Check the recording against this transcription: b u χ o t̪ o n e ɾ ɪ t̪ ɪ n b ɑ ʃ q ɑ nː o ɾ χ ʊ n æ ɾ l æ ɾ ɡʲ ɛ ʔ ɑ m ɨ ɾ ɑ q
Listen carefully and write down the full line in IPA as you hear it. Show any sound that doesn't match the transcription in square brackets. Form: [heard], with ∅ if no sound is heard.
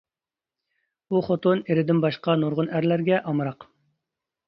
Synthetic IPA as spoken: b u χ o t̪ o n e ɾ ɪ [d̪] ɪ n b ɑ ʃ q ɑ [n] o ɾ [ʁ] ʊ n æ ɾ l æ ɾ ɡʲ ɛ ʔ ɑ m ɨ ɾ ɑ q